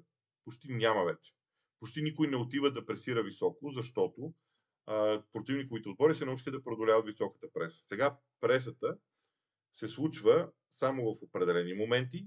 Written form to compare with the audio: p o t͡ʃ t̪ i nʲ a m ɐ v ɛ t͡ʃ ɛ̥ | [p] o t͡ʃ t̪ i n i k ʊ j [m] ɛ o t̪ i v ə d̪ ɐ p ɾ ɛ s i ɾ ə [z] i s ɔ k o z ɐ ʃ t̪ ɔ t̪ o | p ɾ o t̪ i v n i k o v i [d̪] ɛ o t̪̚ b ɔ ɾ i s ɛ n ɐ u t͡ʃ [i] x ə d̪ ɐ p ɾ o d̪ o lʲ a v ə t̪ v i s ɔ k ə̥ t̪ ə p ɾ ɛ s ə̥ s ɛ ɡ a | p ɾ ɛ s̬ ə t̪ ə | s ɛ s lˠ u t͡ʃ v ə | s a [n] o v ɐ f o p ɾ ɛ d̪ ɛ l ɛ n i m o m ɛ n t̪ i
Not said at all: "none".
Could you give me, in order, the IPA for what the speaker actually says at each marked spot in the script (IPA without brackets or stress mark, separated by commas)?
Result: p, n, v, t̪, i, m